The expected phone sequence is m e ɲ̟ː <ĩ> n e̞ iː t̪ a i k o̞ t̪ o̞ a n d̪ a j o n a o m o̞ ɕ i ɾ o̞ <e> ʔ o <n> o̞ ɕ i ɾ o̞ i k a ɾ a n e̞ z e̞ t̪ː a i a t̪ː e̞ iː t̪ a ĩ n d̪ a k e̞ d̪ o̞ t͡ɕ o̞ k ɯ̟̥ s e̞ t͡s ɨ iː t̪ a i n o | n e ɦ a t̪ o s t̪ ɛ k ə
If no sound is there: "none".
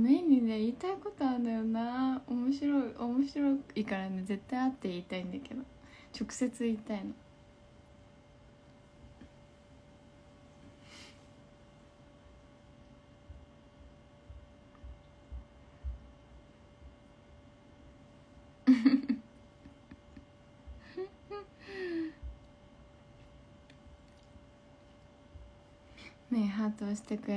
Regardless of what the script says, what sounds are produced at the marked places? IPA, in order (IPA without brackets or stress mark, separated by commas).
i, i, m